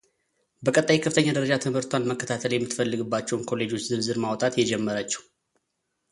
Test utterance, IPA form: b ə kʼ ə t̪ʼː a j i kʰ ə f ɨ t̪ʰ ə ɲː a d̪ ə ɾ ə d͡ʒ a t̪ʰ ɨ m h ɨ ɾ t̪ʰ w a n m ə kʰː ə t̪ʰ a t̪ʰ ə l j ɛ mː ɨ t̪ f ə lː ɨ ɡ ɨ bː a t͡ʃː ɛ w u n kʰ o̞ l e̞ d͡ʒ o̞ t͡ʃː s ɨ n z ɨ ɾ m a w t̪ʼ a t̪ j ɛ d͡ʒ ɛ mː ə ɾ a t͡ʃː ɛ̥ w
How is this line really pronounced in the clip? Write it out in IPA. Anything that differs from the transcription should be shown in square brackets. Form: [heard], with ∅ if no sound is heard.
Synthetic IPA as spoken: b ə kʼ ə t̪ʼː a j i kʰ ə f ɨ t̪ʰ ə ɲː a d̪ ə ɾ ə d͡ʒ a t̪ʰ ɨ m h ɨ ɾ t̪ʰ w a n m ə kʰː ə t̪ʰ a t̪ʰ ə l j ɛ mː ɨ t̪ f ə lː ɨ ɡ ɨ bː a t͡ʃː ɛ w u n kʰ o̞ l e̞ d͡ʒ o̞ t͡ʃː [z] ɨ n z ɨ ɾ m a w t̪ʼ a t̪ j ɛ d͡ʒ ɛ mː ə ɾ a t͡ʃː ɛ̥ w